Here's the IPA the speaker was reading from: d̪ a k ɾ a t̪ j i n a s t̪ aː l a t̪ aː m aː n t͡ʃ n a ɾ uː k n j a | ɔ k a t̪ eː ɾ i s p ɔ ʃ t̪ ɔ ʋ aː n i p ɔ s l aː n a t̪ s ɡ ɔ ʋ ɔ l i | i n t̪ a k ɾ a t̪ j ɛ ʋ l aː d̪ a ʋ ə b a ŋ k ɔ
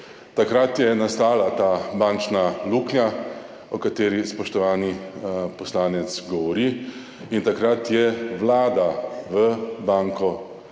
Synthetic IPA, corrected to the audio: t̪ a k ɾ a t̪ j ɛ n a s t̪ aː l a t̪ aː b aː n t͡ʃ n a l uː k n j a | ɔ k a t̪ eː ɾ i s p ɔ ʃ t̪ ɔ ʋ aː n i p ɔ s l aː n ɛ t̪ s ɡ ɔ ʋ ɔ ɾ i | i n t̪ a k ɾ a t̪ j ɛ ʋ l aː d̪ a ʋ ə b a ŋ k ɔ

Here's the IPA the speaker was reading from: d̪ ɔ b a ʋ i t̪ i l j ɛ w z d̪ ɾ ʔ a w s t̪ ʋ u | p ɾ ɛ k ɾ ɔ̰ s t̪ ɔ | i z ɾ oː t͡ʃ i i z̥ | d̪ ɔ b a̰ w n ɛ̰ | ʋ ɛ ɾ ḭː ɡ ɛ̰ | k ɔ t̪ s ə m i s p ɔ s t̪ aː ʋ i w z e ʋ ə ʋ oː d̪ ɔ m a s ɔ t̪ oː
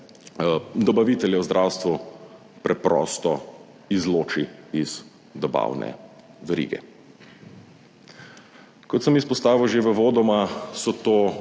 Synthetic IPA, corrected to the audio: d̪ ɔ b a ʋ i t̪ ɛ l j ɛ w z d̪ ɾ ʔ a w s t̪ ʋ u | p ɾ ɛ p ɾ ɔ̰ s t̪ ɔ | i z l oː t͡ʃ i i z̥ | d̪ ɔ b a̰ w n ɛ̰ | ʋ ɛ ɾ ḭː ɡ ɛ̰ | k ɔ t̪ s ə m i s p ɔ s t̪ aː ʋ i w ʒ e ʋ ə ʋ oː d̪ ɔ m a s ɔ t̪ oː

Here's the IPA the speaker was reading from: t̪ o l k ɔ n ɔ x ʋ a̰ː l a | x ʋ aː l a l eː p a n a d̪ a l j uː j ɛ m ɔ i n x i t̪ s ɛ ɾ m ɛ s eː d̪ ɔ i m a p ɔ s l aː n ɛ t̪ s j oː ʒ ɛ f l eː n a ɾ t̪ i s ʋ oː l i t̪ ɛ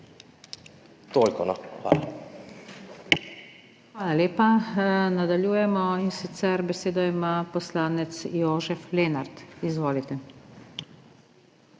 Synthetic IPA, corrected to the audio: t̪ o l k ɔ n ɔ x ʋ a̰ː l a | x ʋ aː l a l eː p a n a d̪ a l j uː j ɛ m ɔ i n s i t̪ s ɛ ɾ b ɛ s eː d̪ ɔ i m a p ɔ s l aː n ɛ t̪ s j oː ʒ ɛ f l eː n a ɾ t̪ i z ʋ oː l i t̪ ɛ

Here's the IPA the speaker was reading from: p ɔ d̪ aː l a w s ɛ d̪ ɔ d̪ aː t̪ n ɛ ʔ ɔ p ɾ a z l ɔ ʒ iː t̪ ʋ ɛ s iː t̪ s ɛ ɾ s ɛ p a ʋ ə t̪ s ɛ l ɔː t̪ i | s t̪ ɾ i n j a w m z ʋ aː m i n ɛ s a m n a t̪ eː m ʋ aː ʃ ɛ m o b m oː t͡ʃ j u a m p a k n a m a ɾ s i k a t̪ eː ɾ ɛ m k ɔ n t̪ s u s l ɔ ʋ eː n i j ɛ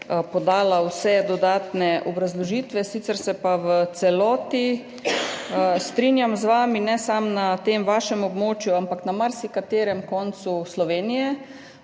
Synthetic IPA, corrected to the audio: p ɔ d̪ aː l a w s ɛ d̪ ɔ d̪ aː t̪ n ɛ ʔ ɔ b ɾ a z l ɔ ʒ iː t̪ ʋ ɛ s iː t̪ s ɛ ɾ s ɛ p a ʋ ə t̪ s ɛ l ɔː t̪ i | s t̪ ɾ i n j a m z ʋ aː m i n ɛ s a m n a t̪ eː m ʋ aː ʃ ɛ m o b m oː t͡ʃ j u a m p a k n a m a ɾ s i k a t̪ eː ɾ ɛ m k ɔ n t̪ s u s l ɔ ʋ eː n i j ɛ

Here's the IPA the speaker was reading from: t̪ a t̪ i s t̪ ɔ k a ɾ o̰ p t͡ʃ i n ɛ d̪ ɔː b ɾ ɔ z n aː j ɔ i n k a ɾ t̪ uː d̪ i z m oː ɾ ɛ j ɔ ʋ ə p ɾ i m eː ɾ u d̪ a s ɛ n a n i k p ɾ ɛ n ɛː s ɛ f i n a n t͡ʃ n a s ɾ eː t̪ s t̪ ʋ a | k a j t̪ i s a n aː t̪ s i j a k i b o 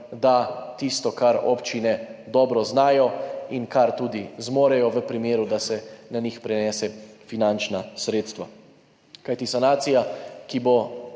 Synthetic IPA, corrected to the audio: d̪ a t̪ i s t̪ ɔ k a ɾ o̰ p t͡ʃ i n ɛ d̪ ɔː b ɾ ɔ z n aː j ɔ i n k a ɾ t̪ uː d̪ i z m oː ɾ ɛ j ɔ ʋ ə p ɾ i m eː ɾ u d̪ a s ɛ n a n i x p ɾ ɛ n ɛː s ɛ f i n a n t͡ʃ n a s ɾ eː t̪ s t̪ ʋ a | k a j t̪ i s a n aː t̪ s i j a k i b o

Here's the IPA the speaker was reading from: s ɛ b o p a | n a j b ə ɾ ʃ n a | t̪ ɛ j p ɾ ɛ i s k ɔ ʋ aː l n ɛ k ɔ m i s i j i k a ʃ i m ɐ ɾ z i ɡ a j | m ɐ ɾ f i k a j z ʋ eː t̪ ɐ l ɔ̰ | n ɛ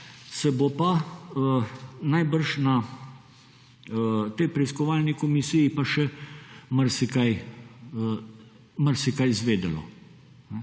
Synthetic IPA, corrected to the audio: s ɛ b o p a | n a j b ə ɾ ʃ n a | t̪ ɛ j p ɾ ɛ i s k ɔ ʋ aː l n i k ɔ m i s i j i p a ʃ ɛ m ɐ ɾ s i k a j | m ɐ ɾ s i k a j z ʋ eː d̪ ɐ l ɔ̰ | n ɛ

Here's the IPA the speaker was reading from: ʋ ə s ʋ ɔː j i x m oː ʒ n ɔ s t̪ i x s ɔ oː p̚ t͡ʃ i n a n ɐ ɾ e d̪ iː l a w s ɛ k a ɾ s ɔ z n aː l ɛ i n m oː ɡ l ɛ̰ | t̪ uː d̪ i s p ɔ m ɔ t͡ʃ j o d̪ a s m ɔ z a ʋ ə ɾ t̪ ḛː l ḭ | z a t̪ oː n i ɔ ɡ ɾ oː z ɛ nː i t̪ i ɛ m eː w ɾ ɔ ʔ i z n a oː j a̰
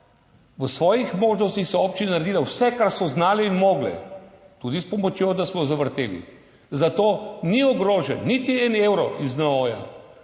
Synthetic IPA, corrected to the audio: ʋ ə s ʋ ɔː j i x m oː ʒ n ɔ s t̪ i x s ɔ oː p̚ t͡ʃ i n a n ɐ ɾ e d̪ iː l a w s ɛ k a ɾ s ɔ z n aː l ɛ i n m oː ɡ l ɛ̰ | t̪ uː d̪ i s p ɔ m ɔ t͡ʃ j o d̪ a s m ɔ z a ʋ ə ɾ t̪ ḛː l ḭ | z a t̪ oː n i ɔ ɡ ɾ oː ʒ ɛ nː i t̪ i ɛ n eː w ɾ ɔ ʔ i z n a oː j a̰

